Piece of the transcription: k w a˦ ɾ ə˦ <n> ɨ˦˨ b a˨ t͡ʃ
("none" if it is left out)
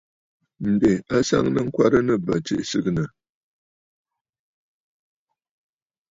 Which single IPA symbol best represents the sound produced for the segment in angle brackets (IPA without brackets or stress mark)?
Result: n